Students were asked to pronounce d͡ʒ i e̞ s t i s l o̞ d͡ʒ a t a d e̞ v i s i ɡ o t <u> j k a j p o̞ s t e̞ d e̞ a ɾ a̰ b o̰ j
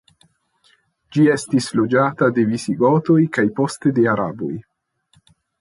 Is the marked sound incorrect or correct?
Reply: incorrect